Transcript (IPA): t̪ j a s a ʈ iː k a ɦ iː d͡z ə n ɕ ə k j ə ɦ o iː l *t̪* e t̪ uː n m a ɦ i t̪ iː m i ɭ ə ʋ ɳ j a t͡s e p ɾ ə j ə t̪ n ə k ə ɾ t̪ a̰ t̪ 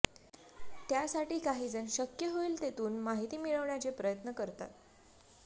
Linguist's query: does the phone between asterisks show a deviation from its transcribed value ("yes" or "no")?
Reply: no